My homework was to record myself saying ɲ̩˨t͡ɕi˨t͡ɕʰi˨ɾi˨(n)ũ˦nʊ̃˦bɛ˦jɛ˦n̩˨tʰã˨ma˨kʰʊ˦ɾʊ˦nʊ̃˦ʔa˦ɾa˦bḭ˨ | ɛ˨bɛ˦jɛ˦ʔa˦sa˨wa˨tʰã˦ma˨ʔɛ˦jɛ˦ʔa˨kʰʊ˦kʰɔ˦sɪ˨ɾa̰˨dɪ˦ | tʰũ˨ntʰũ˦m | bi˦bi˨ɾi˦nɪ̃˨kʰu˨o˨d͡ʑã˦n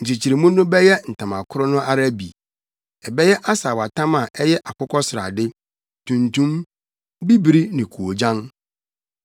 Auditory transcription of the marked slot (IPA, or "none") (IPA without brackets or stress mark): m